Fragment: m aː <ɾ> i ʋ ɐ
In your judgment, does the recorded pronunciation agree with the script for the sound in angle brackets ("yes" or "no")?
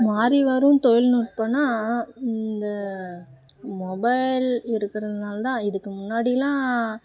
yes